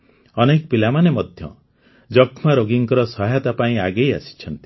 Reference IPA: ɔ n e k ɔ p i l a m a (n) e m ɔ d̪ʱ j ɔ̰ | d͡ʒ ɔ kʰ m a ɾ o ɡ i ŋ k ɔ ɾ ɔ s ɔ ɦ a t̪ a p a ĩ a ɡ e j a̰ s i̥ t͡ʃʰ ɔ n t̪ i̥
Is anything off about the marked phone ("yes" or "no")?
no